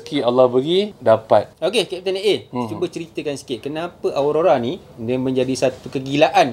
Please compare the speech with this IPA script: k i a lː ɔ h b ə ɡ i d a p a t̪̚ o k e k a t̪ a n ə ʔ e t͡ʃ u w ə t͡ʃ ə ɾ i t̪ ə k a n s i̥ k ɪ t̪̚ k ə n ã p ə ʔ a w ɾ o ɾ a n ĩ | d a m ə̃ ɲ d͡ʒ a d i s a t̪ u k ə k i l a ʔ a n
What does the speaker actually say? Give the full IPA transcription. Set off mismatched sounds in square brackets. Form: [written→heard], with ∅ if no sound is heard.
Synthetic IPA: k i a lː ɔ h b ə ɡ i d a p a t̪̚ o k e k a t̪ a n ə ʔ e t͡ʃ u [w→b] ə t͡ʃ ə ɾ i t̪ ə k a n s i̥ k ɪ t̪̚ k ə n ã p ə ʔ a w ɾ o ɾ a n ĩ | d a m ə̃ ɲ d͡ʒ a d i s a t̪ u k ə [k→ɡ] i l a ʔ a n